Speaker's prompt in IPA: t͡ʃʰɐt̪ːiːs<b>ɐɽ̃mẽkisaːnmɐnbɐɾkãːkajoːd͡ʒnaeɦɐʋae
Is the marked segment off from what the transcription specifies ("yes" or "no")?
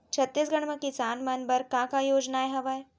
yes